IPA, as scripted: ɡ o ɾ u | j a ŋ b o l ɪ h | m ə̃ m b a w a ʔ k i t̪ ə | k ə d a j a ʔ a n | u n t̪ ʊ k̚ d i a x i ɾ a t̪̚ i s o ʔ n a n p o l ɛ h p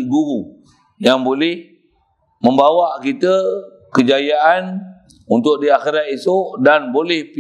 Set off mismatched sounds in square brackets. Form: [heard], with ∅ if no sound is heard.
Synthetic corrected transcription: ɡ [u] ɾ u | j a ŋ b o l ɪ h | m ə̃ m b a w a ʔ k i t̪ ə | k ə [d͡ʒ] a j a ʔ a n | u n t̪ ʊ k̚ d i a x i ɾ a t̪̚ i s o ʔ [d] a n [b] o l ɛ h p